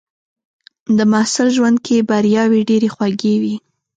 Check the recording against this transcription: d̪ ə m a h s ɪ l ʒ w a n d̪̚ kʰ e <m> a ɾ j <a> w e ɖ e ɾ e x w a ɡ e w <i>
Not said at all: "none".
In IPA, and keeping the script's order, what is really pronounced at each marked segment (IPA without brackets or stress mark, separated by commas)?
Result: b, ɑ, i